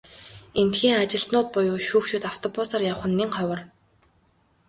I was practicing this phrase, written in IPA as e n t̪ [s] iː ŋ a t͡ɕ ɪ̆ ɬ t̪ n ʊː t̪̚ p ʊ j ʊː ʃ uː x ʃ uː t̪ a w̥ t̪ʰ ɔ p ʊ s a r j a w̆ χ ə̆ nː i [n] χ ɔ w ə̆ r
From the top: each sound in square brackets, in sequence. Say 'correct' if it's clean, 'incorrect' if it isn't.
incorrect, incorrect

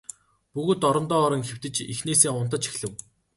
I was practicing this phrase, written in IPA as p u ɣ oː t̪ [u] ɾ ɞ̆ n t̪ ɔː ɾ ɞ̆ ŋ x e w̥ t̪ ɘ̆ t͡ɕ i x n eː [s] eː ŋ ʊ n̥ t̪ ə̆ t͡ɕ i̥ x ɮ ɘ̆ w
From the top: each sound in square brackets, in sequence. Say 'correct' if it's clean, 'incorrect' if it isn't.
incorrect, correct

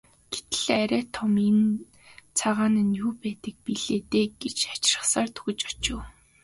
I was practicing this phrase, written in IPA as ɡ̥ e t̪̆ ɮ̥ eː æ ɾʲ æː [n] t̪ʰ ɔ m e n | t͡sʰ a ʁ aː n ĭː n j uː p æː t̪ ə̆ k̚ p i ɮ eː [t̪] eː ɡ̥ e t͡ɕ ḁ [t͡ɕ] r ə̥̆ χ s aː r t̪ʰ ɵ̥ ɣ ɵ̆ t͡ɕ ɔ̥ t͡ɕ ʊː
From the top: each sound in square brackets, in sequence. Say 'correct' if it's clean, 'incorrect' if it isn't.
incorrect, correct, correct

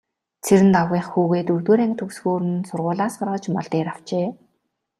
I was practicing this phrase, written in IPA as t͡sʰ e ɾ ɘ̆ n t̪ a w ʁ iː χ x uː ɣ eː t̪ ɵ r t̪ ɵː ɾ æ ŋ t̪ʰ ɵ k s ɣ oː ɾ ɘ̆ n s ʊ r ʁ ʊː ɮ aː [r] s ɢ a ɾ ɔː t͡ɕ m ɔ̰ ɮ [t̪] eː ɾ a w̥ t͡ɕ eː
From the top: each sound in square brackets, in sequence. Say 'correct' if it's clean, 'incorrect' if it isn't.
incorrect, correct

